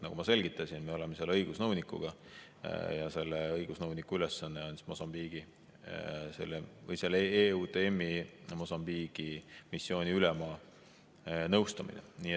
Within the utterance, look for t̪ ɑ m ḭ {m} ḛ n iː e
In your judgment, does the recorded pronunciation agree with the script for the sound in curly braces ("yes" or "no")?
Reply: no